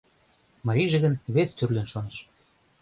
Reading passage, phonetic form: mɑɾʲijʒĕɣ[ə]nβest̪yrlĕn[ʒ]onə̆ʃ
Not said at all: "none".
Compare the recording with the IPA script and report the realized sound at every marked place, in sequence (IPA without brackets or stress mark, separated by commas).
ə, ʃ